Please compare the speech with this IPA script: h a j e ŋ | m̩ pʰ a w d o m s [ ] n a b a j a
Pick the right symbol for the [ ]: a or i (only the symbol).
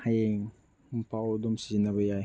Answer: i